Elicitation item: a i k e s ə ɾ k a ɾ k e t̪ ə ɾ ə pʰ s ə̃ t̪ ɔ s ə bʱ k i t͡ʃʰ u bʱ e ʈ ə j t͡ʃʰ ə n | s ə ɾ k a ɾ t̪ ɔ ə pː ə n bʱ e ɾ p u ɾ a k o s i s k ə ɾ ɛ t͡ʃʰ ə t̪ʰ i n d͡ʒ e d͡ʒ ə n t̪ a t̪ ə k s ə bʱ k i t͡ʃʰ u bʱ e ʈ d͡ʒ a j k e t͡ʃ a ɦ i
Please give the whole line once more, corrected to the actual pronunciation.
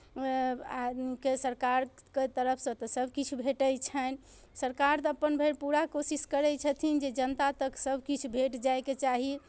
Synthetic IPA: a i k e s ə ɾ k a ɾ k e t̪ ə ɾ ə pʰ s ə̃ t̪ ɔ s ə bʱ k i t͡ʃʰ u bʱ e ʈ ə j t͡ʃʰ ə n | s ə ɾ k a ɾ t̪ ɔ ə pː ə n bʱ e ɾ p u ɾ a k o s i s k ə ɾ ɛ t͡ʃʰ ə t̪ʰ i n d͡ʒ e d͡ʒ ə n t̪ a t̪ ə k s ə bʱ k i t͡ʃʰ u bʱ e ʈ d͡ʒ a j k e t͡ʃ a ɦ i